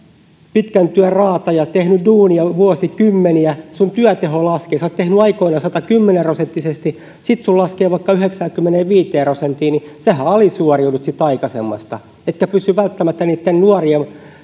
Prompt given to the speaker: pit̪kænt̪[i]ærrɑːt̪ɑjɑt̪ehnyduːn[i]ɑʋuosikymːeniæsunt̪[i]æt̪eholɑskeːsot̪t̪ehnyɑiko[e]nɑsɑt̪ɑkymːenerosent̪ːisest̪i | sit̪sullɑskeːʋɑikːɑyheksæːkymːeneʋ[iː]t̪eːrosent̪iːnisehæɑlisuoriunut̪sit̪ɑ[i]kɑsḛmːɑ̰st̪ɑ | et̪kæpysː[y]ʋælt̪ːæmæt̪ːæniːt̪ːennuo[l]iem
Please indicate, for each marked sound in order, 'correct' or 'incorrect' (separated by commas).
incorrect, correct, incorrect, incorrect, correct, correct, correct, incorrect